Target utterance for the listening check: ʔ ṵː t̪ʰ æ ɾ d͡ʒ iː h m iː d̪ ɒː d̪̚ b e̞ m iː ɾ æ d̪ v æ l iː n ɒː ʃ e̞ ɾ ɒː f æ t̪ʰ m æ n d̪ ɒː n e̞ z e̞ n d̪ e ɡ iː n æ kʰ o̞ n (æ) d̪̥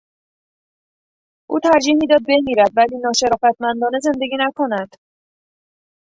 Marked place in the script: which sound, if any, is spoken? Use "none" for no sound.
æ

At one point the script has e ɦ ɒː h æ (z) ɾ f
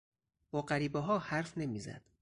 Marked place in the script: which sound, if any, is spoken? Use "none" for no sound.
none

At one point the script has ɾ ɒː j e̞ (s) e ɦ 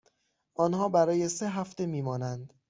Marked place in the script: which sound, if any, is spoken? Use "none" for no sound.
s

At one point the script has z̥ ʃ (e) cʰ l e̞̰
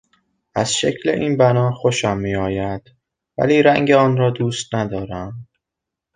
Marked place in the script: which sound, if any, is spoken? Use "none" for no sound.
e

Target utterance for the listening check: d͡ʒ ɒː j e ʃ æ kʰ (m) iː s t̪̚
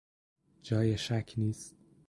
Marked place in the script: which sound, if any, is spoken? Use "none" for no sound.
n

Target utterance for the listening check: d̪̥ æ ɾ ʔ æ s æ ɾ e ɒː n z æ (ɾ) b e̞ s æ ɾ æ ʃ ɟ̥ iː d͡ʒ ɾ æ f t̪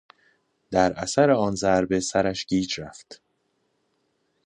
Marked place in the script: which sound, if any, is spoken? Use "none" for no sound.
ɾ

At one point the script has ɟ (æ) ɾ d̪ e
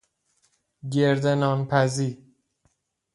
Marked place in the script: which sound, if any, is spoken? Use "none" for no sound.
e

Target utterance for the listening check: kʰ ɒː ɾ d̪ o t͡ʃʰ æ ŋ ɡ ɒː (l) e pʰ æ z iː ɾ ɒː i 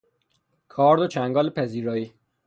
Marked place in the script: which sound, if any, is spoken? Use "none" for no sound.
l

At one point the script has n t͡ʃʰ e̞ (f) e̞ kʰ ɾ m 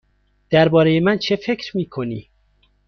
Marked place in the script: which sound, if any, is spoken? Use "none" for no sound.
f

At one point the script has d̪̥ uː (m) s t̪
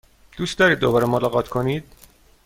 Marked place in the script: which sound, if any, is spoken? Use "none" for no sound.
none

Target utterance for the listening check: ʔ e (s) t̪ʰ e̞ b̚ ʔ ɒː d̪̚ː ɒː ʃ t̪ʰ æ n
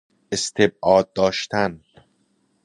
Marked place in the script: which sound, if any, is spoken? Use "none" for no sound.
s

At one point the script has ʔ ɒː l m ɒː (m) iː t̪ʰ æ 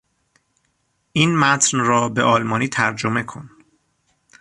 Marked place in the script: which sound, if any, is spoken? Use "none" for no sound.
n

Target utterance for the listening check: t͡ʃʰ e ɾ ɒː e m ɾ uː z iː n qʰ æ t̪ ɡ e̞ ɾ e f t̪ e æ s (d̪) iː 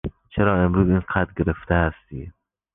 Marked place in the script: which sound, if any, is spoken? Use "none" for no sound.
t̪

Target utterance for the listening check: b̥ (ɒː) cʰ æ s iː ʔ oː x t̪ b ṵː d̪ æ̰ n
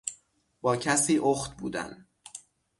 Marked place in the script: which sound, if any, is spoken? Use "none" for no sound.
ɒː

